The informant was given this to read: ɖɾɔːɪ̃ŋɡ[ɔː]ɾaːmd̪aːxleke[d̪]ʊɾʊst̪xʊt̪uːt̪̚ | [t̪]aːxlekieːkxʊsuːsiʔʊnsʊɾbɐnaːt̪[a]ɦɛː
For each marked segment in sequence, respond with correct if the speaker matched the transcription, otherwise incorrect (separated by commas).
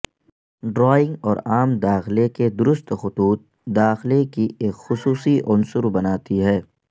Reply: correct, correct, incorrect, incorrect